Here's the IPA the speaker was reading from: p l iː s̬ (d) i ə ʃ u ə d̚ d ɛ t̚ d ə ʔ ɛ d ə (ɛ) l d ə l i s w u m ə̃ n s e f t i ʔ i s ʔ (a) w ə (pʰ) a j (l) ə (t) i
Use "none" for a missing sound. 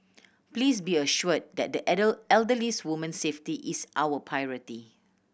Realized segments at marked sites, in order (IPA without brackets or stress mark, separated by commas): b, ɛ, a, pʰ, ɹ, t